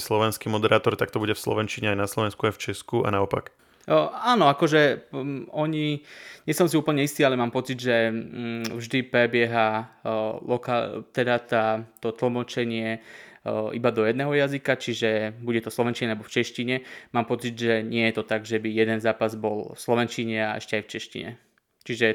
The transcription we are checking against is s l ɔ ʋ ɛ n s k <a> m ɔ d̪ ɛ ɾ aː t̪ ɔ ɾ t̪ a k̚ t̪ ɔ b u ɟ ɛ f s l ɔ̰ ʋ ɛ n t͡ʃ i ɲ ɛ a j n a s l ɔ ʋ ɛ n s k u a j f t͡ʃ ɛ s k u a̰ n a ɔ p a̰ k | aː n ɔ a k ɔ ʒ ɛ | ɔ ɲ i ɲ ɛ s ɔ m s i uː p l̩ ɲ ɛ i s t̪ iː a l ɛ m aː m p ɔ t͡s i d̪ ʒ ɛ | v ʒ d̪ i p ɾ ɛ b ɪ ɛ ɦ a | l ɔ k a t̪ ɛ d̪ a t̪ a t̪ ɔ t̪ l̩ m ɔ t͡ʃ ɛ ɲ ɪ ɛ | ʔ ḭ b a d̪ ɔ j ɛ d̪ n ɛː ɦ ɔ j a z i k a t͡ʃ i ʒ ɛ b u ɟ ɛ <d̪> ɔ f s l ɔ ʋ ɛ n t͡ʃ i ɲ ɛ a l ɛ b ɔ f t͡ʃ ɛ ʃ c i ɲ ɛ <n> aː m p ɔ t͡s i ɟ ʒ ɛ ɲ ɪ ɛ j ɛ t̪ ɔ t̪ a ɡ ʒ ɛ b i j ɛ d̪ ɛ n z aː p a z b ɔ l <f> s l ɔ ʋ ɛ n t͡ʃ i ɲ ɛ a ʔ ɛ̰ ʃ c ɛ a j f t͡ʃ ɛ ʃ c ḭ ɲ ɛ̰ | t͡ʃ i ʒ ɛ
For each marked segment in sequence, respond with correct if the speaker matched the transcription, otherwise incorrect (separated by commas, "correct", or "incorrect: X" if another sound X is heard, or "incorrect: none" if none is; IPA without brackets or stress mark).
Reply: incorrect: i, incorrect: t̪, incorrect: m, correct